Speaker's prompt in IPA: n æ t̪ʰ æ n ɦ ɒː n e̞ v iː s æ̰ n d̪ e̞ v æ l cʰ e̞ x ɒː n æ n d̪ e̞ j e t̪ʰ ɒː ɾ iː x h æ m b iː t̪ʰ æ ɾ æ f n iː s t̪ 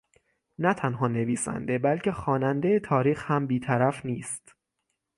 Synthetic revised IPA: n æ t̪ʰ æ n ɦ ɒː n e̞ v iː s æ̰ n d̪ e̞ b æ l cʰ e̞ x ɒː n æ n d̪ e̞ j e t̪ʰ ɒː ɾ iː x h æ m b iː t̪ʰ æ ɾ æ f n iː s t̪